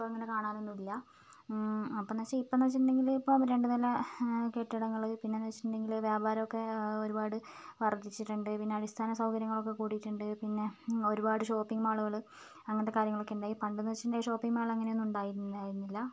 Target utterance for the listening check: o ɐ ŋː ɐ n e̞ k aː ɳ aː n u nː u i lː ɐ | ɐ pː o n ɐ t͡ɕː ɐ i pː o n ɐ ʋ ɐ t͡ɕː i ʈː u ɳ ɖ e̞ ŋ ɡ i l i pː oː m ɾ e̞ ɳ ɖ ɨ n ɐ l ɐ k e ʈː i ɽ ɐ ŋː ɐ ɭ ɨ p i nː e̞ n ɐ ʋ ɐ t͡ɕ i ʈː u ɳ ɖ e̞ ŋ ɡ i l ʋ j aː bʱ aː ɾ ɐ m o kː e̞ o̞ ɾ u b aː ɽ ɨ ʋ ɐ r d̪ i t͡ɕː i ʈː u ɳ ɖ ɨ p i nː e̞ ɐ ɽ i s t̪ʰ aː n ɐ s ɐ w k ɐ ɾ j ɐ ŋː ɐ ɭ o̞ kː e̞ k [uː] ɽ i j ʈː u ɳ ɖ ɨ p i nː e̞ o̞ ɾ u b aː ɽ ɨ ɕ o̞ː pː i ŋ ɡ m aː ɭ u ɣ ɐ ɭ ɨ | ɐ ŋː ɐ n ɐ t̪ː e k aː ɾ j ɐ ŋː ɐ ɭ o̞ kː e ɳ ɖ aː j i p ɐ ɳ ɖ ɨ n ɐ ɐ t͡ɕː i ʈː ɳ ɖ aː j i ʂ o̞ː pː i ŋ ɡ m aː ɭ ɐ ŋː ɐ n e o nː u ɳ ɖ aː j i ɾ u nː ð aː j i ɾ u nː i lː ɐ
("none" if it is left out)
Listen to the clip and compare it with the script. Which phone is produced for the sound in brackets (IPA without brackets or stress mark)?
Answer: uː